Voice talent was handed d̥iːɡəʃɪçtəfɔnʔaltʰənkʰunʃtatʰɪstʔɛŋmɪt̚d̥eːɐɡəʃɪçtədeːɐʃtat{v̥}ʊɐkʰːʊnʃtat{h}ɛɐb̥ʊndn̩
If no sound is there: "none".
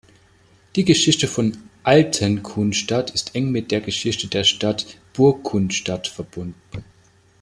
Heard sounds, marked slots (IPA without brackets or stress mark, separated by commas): b̥, f